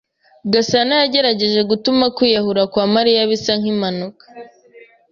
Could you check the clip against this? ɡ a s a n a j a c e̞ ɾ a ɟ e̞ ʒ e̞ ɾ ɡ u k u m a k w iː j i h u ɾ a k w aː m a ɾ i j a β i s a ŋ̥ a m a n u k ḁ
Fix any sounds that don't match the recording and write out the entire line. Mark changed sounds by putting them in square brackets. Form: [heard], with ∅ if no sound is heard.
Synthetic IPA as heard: ɡ a s a n a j a [ɟ] e̞ ɾ a ɟ e̞ ʒ e̞ [∅] ɡ u [t] u m a k w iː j [a] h u ɾ a k w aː m a ɾ i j a β i s a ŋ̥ [i] m a n u k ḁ